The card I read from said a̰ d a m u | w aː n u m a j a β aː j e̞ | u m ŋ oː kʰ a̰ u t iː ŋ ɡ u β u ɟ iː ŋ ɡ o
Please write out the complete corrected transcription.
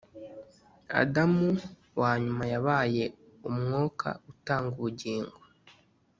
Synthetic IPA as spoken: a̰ d a m u | w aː ɲ u m a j a β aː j e̞ | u m ŋ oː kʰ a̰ u t aː ŋ ɡ u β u ɟ iː ŋ ɡ o